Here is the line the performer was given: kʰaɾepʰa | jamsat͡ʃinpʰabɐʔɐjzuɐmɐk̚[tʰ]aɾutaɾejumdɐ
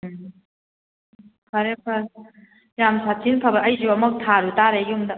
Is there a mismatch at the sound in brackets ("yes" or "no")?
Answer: no